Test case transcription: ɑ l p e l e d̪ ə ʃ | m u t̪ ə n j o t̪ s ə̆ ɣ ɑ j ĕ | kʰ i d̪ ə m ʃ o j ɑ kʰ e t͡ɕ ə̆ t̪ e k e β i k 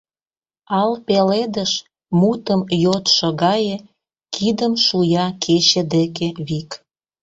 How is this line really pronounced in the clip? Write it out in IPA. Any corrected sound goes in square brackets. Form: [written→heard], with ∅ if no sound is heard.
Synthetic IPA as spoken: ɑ l p e l e d̪ ə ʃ | m u t̪ ə [n→m] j o t̪ [s→ʃ] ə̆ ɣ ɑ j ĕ | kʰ i d̪ ə m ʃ [o→u] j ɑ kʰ e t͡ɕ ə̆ [t̪→d̪] e k e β i k